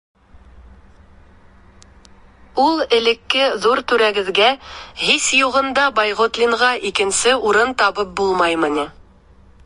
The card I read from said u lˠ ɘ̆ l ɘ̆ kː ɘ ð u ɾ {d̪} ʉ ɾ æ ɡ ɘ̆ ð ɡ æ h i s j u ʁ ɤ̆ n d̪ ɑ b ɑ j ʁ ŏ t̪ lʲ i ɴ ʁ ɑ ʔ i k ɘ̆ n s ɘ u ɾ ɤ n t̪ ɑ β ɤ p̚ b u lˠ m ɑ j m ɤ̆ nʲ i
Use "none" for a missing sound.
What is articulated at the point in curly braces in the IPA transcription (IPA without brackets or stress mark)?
t̪